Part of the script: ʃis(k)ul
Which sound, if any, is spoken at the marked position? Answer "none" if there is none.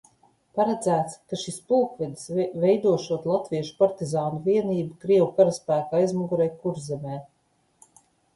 p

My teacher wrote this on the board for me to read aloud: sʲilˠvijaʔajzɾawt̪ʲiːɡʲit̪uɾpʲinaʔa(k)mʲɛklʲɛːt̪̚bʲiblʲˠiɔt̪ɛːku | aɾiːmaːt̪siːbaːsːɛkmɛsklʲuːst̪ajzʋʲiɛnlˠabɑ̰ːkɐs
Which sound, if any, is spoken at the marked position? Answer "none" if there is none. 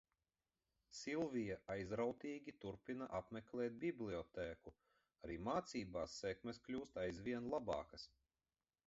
p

